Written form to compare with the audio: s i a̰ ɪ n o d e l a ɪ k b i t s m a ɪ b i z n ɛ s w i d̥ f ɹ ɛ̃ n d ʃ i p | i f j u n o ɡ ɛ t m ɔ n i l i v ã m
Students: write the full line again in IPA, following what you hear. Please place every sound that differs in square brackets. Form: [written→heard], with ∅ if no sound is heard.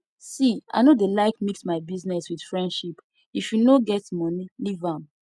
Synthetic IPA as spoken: s i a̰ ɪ n o d e l a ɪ k [b→m] i [t→k] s m a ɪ b i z n ɛ s w i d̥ f ɹ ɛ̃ n d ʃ i p | i f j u n o ɡ ɛ t m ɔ n i l i v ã m